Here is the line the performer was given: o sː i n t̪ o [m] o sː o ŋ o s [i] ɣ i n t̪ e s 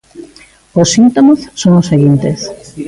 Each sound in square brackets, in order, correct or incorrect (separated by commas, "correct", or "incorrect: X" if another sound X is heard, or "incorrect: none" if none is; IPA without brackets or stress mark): correct, incorrect: e